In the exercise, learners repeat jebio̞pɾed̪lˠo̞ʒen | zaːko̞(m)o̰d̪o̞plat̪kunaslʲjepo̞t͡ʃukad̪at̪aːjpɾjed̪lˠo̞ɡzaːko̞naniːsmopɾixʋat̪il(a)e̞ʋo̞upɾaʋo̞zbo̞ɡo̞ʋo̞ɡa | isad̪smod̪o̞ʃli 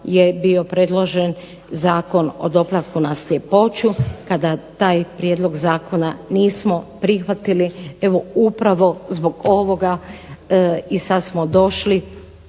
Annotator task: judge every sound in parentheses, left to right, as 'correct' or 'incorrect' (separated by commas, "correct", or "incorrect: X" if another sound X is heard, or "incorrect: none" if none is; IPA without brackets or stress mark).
incorrect: n, incorrect: i